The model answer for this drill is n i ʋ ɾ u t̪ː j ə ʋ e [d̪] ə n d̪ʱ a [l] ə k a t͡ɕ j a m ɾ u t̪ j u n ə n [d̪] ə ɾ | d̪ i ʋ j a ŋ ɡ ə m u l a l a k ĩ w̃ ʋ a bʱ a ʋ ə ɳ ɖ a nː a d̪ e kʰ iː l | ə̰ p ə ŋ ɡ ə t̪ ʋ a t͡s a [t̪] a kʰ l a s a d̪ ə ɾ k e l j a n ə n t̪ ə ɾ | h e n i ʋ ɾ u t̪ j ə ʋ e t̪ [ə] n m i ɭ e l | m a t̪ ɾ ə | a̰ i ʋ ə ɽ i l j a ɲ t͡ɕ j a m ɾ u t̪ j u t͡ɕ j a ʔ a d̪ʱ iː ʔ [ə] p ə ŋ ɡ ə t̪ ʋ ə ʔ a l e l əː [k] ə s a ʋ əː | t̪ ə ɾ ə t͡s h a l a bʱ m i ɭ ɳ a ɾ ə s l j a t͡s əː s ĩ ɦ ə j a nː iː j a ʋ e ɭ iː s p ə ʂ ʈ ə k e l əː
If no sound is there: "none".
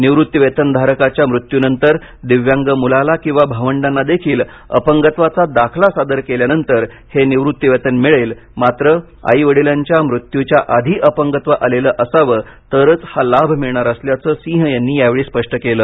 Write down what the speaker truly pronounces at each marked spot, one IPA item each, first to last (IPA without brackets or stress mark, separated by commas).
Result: t̪, ɾ, t̪, d̪, ə, ə, ʔ